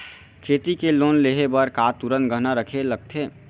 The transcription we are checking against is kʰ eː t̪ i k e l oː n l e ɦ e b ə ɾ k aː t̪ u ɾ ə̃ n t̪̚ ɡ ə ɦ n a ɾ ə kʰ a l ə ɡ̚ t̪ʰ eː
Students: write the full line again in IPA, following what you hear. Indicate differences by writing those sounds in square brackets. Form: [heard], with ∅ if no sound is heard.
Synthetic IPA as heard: kʰ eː t̪ i k e l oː n l e ɦ e b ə ɾ k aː t̪ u ɾ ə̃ n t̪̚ ɡ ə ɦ n a ɾ ə kʰ [e] l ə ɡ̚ t̪ʰ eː